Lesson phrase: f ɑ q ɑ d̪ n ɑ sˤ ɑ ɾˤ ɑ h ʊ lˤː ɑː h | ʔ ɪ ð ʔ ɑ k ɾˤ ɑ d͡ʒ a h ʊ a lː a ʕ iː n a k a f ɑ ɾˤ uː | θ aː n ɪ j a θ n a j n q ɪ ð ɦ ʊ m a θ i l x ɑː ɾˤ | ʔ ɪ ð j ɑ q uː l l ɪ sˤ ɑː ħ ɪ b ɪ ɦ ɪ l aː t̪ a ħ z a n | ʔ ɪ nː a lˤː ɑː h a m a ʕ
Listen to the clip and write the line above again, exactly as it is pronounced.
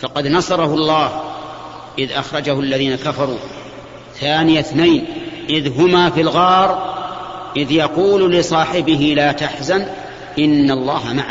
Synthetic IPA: f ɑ q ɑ d̪ n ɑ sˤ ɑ ɾˤ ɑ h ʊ lˤː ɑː h | ʔ ɪ ð ʔ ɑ x ɾˤ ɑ d͡ʒ a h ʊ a lː a ð iː n a k a f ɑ ɾˤ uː | θ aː n ɪ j a θ n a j n ʔ ɪ ð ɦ ʊ m a f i l ɣ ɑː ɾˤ | ʔ ɪ ð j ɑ q uː l l ɪ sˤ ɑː ħ ɪ b ɪ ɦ ɪ l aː t̪ a ħ z a n | ʔ ɪ nː a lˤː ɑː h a m a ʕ